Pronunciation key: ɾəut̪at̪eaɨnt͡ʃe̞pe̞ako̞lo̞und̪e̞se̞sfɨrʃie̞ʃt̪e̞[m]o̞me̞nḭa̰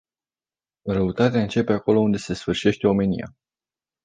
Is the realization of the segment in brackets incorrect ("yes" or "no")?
yes